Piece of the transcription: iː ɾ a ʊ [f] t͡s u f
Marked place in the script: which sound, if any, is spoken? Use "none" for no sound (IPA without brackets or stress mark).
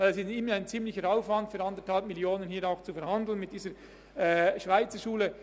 x